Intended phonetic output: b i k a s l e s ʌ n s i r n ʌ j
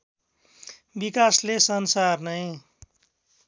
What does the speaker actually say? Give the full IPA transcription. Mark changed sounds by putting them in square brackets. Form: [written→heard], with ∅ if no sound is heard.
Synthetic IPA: b i k a s l e s ʌ n s [i→a] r n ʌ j